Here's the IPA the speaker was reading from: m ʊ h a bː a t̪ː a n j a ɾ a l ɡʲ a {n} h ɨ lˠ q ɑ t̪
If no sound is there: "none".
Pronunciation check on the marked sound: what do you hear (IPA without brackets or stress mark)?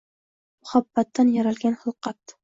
n